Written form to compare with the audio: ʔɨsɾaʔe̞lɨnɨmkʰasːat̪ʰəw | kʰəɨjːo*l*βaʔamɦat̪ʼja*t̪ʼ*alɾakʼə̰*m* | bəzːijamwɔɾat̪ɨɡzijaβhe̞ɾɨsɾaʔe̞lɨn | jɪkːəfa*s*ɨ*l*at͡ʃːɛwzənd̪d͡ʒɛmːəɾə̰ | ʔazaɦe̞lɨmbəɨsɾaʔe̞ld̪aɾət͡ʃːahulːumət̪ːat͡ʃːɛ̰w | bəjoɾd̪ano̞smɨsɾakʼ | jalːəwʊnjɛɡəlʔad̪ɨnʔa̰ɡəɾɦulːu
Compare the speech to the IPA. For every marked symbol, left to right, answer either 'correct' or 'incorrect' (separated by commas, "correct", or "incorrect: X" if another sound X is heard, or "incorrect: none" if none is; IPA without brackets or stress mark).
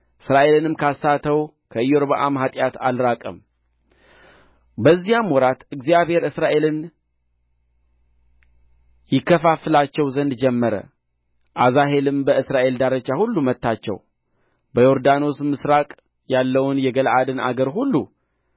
incorrect: ɾ, incorrect: t̪, correct, incorrect: f, correct